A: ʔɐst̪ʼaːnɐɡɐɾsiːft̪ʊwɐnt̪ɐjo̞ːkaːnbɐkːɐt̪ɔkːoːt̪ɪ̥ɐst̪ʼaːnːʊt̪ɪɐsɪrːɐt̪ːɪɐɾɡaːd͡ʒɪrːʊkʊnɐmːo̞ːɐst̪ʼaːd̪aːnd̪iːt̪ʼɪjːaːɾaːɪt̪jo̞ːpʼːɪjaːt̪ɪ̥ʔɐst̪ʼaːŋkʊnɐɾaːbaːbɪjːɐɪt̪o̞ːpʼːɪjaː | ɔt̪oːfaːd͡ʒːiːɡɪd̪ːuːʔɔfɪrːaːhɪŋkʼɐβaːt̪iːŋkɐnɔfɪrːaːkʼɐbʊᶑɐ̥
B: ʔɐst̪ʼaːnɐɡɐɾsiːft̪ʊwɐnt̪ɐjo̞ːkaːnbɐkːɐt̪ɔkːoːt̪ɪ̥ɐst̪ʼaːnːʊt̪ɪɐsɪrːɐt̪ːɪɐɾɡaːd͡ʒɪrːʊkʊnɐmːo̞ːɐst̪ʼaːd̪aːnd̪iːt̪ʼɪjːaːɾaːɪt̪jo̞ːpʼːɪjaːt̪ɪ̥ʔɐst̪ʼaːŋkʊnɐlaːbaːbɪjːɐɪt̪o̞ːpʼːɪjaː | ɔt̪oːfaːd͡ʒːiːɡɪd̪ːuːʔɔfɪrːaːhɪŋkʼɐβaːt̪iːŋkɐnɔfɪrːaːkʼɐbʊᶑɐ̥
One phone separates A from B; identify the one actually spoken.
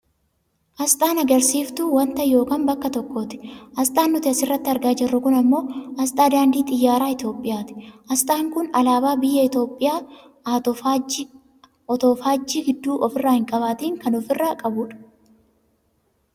B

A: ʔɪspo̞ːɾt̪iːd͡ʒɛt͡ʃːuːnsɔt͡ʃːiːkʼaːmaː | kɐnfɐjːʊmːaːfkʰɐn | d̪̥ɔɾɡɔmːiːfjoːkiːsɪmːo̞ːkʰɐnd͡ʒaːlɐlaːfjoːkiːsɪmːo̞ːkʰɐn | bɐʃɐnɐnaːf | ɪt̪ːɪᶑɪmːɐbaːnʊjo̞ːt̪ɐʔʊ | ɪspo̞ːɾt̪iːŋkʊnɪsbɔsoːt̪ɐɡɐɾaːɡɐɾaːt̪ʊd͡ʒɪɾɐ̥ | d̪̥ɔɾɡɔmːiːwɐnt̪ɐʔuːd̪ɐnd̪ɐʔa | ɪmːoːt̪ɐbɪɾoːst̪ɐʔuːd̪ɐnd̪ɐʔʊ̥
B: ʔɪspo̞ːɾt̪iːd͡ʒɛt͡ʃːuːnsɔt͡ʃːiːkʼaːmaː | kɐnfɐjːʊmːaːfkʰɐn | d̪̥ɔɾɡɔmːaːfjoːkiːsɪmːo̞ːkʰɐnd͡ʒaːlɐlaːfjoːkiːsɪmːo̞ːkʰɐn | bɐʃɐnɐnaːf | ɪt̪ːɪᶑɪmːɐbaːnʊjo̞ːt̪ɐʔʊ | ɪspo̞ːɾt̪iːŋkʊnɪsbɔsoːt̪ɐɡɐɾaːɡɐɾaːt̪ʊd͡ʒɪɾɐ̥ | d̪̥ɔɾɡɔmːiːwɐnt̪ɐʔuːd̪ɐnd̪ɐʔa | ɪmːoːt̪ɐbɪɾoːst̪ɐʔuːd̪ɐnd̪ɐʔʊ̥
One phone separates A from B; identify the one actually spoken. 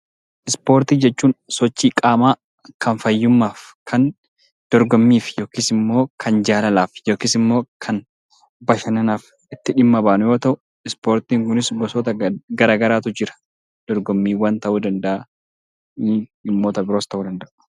A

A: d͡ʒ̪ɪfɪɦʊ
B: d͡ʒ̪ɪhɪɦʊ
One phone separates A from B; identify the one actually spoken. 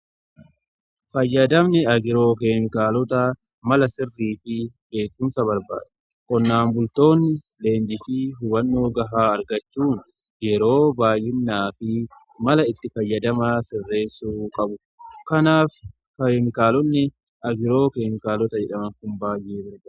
A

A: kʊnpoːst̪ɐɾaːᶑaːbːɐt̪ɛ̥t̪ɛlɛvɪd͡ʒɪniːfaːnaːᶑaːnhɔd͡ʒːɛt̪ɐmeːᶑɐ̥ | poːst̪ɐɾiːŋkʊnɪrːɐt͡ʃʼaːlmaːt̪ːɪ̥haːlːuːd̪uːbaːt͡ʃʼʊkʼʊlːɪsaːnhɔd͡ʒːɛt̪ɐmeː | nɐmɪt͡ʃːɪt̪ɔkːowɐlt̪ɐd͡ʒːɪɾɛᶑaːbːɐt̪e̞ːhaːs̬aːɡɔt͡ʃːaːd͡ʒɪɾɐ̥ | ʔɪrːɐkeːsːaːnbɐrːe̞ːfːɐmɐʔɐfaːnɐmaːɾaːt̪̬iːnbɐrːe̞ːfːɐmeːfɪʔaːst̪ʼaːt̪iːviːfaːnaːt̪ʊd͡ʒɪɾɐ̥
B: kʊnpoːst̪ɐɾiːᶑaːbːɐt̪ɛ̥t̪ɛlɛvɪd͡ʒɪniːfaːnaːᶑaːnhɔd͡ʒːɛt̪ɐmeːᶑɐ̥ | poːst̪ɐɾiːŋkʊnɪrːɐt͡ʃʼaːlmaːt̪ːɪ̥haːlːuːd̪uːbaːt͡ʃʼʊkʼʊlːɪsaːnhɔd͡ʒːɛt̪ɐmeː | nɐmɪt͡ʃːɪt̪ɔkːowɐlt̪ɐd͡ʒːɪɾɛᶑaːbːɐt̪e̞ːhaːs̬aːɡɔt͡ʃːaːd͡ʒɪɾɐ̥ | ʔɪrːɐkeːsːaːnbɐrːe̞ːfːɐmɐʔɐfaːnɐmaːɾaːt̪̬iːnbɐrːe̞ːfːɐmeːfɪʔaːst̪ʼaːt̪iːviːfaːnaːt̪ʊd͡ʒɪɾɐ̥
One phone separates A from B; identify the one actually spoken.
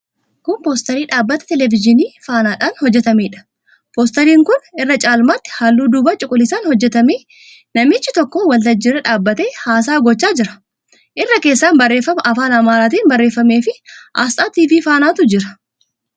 B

